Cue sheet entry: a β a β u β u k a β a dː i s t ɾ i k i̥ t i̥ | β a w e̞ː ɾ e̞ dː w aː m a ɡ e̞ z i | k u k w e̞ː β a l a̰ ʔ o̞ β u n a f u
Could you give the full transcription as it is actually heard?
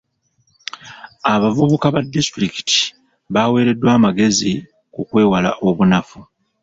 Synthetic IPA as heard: a β a v u β u k a β a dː i s t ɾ i k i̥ t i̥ | β a w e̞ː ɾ e̞ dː w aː m a ɡ e̞ z i | k u k w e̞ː w a l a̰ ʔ o̞ β u n a f u